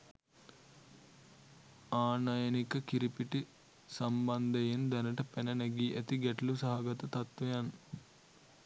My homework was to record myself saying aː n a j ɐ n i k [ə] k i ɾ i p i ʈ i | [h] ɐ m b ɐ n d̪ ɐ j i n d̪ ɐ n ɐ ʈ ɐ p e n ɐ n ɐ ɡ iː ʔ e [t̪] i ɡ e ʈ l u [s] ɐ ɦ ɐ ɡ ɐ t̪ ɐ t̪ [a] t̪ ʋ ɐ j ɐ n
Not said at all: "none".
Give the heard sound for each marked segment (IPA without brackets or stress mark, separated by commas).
ɐ, s, t̪, s, ɐ